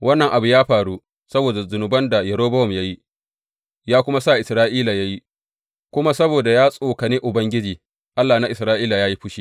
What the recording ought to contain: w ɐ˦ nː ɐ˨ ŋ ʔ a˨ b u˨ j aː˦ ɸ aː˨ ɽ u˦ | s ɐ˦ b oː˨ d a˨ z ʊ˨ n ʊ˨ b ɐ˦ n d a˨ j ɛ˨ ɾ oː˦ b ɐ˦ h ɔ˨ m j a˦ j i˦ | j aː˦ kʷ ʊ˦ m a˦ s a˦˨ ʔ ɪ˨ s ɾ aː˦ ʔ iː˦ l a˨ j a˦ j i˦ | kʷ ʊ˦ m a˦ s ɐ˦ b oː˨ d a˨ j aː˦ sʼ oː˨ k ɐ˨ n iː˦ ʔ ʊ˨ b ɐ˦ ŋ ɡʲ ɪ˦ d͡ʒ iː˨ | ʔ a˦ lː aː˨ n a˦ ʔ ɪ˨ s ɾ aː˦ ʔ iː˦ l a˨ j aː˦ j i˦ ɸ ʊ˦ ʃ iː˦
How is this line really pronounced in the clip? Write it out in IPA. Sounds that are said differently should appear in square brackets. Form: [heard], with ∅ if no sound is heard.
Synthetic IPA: w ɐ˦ nː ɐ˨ ŋ ʔ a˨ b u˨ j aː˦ ɸ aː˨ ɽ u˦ | s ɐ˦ b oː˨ d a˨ z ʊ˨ n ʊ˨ b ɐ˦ n d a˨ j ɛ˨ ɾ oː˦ b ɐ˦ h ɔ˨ m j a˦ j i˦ | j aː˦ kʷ ʊ˦ m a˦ s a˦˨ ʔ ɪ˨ s ɾ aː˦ ʔ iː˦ l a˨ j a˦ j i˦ | kʷ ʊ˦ m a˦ s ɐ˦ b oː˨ d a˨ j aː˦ sʼ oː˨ k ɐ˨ n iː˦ ʔ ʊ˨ b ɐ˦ ŋ ɡʲ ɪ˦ d͡ʒ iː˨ | ʔ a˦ lː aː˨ n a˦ ʔ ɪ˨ s ɾ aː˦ ʔ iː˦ l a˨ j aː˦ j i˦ ɸ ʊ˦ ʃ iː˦